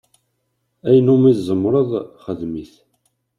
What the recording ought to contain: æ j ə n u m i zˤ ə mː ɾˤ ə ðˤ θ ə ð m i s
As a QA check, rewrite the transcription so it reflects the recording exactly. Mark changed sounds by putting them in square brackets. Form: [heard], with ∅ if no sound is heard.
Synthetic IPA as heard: æ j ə n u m i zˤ ə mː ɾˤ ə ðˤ [χ] ə ð m i [θ]